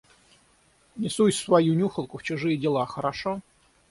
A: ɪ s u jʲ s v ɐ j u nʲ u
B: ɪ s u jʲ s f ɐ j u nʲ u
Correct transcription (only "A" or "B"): A